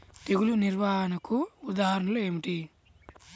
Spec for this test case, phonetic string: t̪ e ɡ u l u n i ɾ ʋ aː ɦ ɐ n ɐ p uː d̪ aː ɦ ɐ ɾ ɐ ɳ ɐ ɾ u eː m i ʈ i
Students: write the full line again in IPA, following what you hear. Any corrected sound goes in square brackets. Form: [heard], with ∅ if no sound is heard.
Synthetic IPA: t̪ e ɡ u l u n i ɾ ʋ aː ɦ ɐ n ɐ [k] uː d̪ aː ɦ ɐ ɾ ɐ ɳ ɐ [l] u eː m i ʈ i